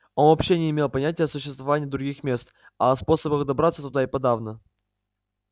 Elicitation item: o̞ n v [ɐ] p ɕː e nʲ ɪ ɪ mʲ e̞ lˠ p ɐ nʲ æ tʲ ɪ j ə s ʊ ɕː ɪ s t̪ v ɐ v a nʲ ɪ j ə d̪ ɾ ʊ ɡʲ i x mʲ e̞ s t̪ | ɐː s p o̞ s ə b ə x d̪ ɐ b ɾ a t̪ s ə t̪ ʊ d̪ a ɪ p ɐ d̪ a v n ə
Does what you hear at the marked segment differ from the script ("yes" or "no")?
no